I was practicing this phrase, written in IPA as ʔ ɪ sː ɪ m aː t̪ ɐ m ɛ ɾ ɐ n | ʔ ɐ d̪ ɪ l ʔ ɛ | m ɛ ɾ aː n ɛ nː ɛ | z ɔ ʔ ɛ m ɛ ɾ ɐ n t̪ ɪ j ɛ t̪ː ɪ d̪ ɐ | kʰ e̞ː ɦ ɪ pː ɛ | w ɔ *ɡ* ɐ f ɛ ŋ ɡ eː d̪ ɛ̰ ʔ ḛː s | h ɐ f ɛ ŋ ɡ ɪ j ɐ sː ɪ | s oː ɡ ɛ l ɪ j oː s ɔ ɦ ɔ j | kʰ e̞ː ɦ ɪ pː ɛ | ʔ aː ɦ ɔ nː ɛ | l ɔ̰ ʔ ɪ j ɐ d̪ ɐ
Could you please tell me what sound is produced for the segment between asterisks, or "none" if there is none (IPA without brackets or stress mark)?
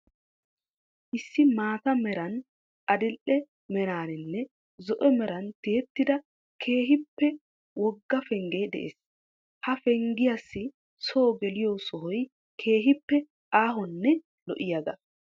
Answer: ɡː